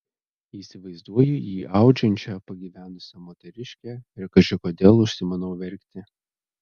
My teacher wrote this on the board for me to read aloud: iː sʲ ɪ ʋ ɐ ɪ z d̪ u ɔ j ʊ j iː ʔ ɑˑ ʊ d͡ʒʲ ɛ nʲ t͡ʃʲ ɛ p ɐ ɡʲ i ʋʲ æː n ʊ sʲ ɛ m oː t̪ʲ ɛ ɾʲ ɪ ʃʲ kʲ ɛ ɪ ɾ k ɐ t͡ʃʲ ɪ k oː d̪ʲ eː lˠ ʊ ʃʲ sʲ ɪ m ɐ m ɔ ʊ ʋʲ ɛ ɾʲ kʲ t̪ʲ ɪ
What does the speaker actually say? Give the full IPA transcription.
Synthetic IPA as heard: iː sʲ ɪ ʋ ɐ ɪ z d̪ u ɔ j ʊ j iː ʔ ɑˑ ʊ d͡ʒʲ ɛ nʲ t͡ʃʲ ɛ p ɐ ɡʲ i ʋʲ æː n ʊ sʲ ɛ m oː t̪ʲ ɛ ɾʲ ɪ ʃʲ kʲ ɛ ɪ ɾ k ɐ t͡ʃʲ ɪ k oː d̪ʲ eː lˠ ʊ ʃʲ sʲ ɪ m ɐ n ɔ ʊ ʋʲ ɛ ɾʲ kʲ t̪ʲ ɪ